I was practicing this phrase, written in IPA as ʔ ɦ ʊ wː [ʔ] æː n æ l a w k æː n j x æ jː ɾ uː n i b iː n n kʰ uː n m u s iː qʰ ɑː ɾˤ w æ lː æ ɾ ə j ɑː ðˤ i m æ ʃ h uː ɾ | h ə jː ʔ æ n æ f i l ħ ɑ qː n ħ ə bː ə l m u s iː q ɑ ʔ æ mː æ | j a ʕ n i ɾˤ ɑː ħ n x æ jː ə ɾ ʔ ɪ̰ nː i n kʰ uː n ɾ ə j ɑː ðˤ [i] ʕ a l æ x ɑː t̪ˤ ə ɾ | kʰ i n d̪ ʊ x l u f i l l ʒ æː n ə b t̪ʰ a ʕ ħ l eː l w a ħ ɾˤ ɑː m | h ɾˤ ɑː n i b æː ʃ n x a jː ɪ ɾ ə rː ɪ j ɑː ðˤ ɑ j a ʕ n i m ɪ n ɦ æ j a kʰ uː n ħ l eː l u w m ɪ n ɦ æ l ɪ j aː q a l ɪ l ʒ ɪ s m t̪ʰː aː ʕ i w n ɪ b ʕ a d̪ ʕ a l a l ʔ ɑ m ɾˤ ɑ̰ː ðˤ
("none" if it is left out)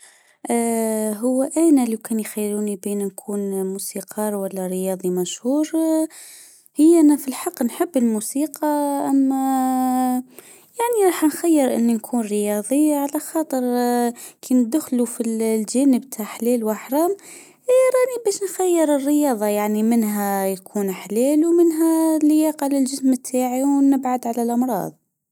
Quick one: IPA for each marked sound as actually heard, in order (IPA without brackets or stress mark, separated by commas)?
ʔ, i